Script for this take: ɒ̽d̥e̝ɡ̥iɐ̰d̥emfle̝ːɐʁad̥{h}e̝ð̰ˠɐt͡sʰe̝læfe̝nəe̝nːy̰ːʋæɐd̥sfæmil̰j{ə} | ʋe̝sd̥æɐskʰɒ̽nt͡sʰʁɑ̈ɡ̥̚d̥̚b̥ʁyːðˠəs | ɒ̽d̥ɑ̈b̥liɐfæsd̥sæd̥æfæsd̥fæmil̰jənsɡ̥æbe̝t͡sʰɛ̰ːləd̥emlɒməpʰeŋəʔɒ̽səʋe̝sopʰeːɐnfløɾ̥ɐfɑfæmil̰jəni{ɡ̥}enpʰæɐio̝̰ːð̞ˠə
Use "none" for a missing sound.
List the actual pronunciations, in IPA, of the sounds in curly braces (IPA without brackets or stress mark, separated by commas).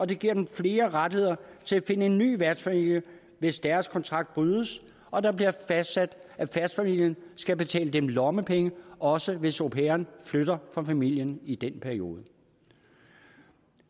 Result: h, ə, d̥